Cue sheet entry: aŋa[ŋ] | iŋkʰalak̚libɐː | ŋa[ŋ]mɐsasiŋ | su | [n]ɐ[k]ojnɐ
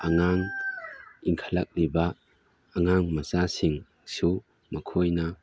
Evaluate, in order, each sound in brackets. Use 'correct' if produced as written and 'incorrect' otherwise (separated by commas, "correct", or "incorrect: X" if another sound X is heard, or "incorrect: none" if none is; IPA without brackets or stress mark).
correct, correct, incorrect: m, incorrect: kʰ